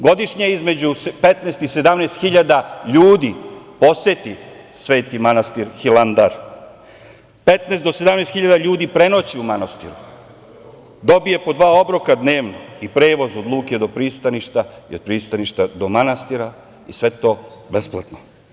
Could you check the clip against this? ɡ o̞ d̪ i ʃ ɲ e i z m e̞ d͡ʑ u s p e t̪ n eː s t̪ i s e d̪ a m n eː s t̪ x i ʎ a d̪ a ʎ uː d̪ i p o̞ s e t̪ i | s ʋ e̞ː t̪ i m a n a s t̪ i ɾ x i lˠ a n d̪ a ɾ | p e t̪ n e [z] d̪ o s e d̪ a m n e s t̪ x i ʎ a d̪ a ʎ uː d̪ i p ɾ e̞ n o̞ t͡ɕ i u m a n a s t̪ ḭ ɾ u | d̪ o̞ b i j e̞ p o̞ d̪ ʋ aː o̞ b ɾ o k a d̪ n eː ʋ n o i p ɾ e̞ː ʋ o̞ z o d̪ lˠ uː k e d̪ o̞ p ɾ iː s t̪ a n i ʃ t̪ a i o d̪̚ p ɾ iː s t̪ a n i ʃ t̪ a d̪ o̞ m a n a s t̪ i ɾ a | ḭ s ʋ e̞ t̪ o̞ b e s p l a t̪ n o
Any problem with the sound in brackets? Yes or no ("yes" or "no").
yes